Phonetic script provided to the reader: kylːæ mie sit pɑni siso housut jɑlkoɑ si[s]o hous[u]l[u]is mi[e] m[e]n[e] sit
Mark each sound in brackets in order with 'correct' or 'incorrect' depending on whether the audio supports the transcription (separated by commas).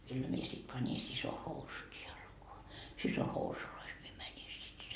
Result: correct, correct, incorrect, correct, incorrect, incorrect